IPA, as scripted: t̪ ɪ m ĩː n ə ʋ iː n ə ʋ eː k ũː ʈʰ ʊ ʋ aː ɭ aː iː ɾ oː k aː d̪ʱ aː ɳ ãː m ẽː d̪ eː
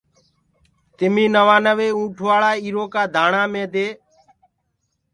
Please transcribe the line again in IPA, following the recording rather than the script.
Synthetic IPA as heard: t̪ ɪ m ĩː n ə ʋ aː n ə ʋ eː ũː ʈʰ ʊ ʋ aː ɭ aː iː ɾ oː k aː d̪ʱ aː ɳ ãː m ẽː d̪ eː